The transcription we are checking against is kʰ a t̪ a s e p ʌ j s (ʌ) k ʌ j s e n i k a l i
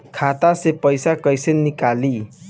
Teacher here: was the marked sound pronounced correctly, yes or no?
no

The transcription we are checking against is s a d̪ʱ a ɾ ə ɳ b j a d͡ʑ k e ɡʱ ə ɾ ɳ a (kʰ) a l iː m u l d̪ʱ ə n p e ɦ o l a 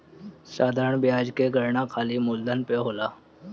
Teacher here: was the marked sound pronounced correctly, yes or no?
yes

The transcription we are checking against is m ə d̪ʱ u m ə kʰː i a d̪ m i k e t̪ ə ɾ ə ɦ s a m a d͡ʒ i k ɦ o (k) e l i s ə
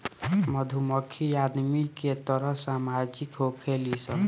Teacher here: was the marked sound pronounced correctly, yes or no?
no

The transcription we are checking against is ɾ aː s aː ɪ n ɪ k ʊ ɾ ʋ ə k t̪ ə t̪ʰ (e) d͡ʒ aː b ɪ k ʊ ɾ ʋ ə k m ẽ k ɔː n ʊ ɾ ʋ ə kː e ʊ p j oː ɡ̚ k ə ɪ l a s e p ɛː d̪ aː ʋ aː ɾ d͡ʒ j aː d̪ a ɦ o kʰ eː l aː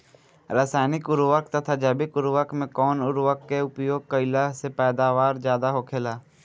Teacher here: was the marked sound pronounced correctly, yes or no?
no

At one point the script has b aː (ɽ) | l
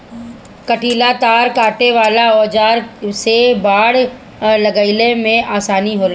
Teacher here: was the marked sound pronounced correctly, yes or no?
yes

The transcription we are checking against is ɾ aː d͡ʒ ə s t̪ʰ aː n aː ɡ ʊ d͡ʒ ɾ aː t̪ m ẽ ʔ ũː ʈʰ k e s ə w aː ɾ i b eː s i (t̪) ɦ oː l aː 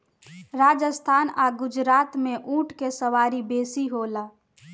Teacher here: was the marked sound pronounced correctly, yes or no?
no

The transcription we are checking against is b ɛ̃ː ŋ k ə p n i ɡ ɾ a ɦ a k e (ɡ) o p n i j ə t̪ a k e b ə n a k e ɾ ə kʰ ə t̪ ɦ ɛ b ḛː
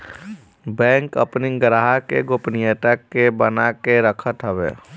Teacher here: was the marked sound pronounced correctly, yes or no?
yes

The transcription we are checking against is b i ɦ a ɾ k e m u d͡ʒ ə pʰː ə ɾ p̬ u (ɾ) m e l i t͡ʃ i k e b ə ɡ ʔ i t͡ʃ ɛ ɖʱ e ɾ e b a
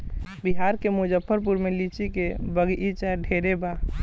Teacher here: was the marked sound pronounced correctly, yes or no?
yes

